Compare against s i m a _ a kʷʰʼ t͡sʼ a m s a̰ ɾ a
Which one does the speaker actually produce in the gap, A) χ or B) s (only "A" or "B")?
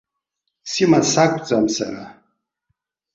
B